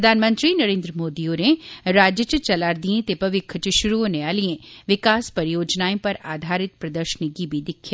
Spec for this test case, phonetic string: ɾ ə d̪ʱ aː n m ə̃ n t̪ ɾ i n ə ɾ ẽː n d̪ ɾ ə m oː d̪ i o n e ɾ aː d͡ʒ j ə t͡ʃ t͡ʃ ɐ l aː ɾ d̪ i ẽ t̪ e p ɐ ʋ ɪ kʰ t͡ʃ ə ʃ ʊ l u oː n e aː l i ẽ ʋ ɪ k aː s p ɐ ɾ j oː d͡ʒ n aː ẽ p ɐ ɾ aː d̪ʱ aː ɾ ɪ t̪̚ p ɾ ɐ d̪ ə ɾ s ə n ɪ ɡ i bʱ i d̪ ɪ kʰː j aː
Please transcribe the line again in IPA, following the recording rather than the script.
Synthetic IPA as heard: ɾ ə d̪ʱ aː n m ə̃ n t̪ ɾ i n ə ɾ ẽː n d̪ ɾ ə m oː d̪ i o n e ɾ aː d͡ʒ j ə t͡ʃ t͡ʃ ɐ l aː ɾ d̪ i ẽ t̪ e p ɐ ʋ ɪ kʰ t͡ʃ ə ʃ ʊ ɾ u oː n e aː l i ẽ ʋ ɪ k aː s p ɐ ɾ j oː d͡ʒ n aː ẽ p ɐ ɾ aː d̪ʱ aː ɾ ɪ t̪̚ p ɾ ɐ d̪ ə ɾ ʃ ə n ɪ ɡ i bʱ i d̪ ɪ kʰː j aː